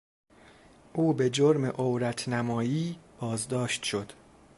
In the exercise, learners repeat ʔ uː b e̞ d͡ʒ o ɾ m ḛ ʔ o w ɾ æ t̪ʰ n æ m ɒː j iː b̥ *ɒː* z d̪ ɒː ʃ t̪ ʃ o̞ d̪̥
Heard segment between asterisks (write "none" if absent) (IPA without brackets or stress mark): ɒː